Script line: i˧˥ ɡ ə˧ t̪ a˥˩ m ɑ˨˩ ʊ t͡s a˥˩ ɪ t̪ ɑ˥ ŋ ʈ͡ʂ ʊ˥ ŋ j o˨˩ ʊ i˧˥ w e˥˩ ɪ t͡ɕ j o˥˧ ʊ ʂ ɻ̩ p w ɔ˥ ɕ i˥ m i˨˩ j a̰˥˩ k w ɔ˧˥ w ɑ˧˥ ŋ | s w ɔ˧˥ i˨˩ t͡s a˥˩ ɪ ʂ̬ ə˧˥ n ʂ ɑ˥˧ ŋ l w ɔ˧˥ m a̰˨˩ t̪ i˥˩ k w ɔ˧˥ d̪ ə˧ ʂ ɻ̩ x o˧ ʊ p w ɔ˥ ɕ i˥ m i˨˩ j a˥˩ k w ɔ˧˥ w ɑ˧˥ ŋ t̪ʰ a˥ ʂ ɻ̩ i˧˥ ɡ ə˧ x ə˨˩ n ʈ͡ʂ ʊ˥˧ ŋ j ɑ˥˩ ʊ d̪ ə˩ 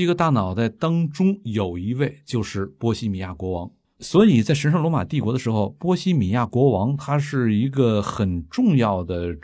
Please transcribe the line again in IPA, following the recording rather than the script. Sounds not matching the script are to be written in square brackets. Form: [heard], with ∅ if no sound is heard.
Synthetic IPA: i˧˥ ɡ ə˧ t̪ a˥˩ [n] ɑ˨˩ ʊ t͡s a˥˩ ɪ t̪ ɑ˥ ŋ ʈ͡ʂ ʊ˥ ŋ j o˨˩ ʊ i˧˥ w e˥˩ ɪ t͡ɕ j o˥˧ ʊ ʂ ɻ̩ p w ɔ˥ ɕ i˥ m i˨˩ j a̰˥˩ k w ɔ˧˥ w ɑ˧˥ ŋ | s w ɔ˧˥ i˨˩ t͡s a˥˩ ɪ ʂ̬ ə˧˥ n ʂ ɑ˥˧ ŋ l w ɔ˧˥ m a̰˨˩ t̪ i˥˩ k w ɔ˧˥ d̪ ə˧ ʂ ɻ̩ x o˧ ʊ p w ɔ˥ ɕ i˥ m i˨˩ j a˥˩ k w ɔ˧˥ w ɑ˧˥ ŋ t̪ʰ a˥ ʂ ɻ̩ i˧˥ ɡ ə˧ x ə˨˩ n ʈ͡ʂ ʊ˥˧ ŋ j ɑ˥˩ ʊ d̪ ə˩